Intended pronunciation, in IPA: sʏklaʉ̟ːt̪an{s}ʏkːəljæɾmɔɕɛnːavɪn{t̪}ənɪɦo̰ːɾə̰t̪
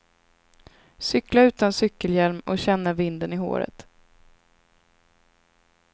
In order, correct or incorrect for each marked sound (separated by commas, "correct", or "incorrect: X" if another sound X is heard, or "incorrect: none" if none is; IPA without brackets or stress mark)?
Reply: correct, incorrect: d̪